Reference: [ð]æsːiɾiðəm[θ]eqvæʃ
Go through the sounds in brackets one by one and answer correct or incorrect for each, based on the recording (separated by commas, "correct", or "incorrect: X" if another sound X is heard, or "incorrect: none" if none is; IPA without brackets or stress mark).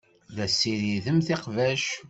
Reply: correct, correct